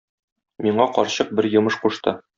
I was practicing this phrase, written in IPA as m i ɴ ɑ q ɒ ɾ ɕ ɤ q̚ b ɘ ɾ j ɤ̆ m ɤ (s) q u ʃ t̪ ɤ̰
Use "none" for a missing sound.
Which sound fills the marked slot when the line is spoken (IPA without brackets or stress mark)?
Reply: ʃ